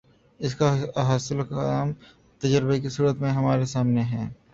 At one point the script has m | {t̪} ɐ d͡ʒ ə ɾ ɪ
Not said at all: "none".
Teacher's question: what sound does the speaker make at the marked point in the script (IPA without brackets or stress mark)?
t̪